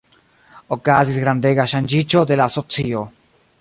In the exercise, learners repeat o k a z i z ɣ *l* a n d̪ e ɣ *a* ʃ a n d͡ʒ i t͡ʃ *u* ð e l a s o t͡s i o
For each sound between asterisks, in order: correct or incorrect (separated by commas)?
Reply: incorrect, correct, incorrect